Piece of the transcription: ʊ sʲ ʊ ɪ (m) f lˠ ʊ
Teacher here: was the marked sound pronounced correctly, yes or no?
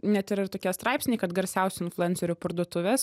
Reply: no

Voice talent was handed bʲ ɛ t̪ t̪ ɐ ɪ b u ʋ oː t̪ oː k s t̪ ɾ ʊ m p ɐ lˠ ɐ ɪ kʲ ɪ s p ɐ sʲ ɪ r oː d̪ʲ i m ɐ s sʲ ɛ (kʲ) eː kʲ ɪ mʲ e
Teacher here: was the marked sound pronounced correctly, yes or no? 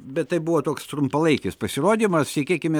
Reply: yes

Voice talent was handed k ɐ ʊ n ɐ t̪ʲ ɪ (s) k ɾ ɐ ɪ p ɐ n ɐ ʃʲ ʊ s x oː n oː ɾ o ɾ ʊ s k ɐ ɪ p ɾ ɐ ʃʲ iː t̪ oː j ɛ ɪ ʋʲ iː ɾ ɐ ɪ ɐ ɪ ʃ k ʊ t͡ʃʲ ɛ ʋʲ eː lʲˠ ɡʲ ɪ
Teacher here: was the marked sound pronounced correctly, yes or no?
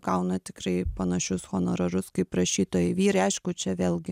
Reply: no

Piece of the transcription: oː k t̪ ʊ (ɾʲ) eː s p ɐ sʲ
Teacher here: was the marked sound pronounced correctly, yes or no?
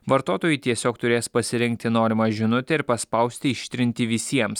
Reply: yes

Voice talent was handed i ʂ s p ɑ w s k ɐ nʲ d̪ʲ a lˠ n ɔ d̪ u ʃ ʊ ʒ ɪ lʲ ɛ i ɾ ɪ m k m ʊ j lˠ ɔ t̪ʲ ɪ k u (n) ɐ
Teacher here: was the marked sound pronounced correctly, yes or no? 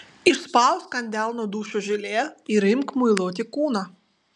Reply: yes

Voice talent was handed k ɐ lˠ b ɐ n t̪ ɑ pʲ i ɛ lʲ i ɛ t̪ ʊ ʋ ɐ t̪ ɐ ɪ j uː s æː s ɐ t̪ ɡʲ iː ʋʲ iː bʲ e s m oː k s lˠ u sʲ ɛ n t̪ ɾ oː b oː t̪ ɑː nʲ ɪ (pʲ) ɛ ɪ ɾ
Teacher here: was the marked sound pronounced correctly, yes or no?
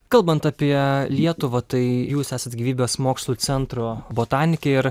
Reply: no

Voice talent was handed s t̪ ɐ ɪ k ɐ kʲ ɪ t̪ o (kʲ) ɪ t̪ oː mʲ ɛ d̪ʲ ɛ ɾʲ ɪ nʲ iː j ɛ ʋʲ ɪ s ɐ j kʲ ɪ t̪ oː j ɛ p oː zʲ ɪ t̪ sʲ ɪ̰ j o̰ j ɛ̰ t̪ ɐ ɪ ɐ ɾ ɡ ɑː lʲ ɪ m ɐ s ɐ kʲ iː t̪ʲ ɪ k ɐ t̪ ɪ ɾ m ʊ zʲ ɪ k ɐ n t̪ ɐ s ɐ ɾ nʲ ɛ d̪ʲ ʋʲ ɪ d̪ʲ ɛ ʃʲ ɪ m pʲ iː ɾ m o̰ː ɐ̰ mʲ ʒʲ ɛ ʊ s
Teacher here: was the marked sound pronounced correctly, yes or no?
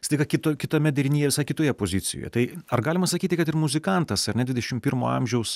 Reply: yes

